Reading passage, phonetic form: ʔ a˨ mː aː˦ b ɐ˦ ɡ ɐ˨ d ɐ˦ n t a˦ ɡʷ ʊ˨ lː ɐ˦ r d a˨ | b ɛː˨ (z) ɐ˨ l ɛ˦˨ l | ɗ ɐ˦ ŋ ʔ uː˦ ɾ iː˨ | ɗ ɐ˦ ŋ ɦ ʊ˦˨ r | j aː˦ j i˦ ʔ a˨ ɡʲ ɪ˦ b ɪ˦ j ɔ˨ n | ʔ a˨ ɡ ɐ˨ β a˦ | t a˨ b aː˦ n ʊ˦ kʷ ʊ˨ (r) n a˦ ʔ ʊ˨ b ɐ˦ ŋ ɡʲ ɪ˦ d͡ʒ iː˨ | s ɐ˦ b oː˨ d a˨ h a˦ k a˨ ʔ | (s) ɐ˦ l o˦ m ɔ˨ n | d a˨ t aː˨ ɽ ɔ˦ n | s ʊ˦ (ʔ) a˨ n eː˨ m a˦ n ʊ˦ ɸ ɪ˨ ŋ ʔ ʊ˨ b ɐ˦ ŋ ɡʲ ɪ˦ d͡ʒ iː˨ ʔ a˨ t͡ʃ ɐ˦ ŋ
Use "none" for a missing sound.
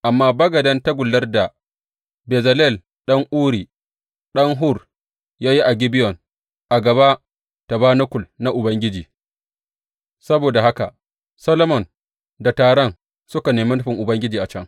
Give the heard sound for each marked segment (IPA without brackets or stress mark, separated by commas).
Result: z, l, s, k